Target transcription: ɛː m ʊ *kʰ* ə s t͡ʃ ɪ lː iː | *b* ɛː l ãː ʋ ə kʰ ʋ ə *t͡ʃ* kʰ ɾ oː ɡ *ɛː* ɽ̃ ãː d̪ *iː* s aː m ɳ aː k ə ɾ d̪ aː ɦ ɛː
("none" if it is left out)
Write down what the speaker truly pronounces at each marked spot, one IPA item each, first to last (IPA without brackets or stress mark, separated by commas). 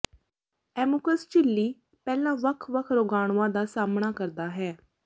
k, p, none, aː, aː